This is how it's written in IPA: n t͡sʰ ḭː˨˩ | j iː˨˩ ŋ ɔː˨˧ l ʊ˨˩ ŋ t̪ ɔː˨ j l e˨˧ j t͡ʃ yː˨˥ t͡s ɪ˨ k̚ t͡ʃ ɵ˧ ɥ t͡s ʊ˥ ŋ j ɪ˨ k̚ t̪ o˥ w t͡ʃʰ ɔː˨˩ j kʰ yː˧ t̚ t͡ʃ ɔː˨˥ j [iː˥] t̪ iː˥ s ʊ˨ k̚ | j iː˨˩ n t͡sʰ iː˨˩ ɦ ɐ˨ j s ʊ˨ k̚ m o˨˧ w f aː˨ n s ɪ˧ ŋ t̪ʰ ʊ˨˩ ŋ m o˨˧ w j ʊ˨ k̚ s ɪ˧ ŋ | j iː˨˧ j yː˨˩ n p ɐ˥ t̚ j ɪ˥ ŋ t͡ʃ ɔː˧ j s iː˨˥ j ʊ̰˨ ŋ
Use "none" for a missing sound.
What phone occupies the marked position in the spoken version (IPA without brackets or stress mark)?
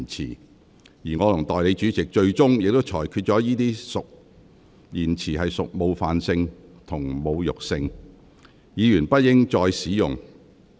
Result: iː˥